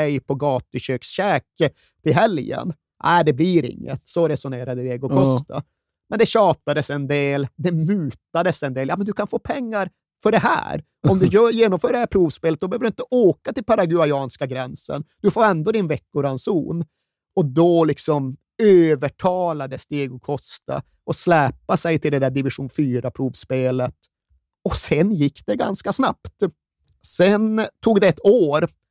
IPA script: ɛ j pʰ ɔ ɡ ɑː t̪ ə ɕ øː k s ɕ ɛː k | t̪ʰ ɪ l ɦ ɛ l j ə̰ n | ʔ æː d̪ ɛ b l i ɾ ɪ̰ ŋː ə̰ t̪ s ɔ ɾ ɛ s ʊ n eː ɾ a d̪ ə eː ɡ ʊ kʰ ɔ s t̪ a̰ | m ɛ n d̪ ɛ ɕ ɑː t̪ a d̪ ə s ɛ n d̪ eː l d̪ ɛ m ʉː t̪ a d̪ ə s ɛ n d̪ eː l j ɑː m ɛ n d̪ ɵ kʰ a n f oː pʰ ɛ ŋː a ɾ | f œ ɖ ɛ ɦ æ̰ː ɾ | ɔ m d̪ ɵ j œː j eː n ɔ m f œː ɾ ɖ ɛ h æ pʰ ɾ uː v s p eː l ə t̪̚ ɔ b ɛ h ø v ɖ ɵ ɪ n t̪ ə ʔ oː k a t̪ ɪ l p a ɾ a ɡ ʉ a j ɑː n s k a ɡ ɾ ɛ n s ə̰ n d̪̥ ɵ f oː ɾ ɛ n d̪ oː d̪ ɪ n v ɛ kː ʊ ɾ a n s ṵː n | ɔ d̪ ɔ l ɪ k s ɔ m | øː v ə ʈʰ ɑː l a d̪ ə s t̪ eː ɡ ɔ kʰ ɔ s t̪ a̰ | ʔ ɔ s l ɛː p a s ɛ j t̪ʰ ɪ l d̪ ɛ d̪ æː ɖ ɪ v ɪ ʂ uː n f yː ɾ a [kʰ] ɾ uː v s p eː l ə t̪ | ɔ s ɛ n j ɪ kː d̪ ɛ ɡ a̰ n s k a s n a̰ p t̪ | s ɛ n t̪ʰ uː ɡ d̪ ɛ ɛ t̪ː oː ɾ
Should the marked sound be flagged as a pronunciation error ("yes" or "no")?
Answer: yes